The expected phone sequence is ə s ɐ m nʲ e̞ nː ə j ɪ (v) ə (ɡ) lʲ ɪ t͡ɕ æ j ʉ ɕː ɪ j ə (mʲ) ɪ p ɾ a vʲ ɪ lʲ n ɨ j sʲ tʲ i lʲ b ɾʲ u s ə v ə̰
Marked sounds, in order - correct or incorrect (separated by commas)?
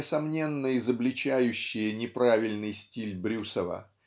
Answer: incorrect, incorrect, incorrect